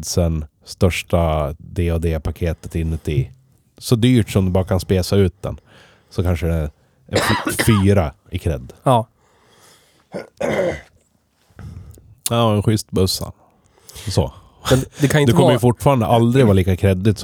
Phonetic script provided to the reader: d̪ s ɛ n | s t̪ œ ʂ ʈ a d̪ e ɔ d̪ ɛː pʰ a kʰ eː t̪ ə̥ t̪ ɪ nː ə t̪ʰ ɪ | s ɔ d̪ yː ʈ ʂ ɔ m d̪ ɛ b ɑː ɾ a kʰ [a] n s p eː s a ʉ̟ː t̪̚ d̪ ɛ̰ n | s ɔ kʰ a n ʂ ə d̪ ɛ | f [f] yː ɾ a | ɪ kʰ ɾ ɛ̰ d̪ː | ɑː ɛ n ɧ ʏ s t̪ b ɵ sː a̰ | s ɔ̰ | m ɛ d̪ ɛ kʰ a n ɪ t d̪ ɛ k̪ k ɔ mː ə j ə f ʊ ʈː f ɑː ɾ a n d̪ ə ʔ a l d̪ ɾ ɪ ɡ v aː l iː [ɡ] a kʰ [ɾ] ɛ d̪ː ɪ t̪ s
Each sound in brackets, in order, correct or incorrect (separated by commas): correct, correct, incorrect, correct